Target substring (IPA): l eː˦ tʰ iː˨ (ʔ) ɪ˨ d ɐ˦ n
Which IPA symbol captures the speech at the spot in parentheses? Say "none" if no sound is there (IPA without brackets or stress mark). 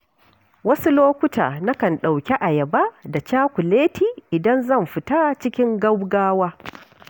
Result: ʔ